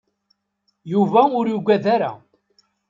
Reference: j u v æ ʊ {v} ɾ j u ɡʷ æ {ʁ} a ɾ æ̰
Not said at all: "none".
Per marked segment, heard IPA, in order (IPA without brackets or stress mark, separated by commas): none, ð